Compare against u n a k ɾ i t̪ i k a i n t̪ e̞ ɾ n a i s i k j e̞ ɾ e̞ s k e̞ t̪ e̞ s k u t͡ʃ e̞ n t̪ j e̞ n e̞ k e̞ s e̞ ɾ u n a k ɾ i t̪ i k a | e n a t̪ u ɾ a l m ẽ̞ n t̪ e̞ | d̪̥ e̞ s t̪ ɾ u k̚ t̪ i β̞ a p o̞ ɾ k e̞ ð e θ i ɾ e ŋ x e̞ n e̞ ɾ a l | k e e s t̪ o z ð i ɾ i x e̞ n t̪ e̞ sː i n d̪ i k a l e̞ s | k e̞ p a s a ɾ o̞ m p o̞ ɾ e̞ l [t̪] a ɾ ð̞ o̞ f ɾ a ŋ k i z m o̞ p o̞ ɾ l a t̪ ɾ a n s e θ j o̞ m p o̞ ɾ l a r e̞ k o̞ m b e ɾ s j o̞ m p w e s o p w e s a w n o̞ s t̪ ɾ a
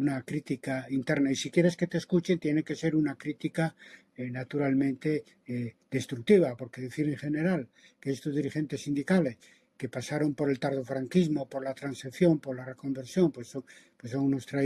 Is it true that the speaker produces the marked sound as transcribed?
yes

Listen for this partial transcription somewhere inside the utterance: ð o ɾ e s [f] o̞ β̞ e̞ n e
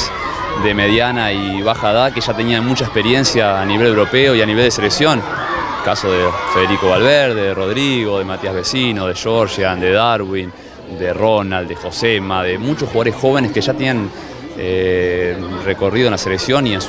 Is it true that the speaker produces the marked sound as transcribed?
no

